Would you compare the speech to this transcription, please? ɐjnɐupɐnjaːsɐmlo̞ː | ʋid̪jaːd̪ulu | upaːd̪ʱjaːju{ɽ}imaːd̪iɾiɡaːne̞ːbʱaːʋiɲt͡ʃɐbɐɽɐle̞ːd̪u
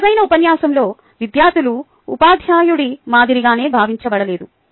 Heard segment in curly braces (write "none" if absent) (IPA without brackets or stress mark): ɽ